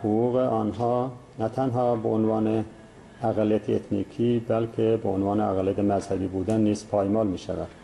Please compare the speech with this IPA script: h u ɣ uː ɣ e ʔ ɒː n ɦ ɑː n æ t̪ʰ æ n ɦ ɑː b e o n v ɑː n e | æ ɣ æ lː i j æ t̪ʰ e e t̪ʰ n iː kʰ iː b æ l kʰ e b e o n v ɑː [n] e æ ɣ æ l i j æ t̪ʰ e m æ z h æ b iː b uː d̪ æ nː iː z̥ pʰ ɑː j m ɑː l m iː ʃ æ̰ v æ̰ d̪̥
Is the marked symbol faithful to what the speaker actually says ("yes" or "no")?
yes